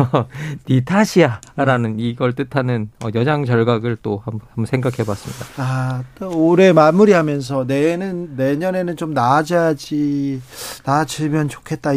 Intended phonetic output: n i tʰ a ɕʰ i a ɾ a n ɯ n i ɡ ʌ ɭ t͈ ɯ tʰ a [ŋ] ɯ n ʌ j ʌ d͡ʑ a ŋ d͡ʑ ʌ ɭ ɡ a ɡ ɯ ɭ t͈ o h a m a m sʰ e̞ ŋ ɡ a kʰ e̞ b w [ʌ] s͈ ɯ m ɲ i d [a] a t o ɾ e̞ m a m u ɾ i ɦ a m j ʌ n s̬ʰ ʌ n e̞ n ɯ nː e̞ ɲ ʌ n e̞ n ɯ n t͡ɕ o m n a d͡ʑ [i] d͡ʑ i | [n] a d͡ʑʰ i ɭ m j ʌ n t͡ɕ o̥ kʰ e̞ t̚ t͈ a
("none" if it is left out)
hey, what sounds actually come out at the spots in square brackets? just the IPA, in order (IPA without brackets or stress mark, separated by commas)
n, a, a, a, n